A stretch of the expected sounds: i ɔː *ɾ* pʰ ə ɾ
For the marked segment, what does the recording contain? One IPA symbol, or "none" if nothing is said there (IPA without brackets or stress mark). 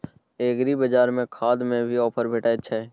none